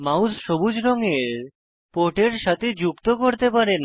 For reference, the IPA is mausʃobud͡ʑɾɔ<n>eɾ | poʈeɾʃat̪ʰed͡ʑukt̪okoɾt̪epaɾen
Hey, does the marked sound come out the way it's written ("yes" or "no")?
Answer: no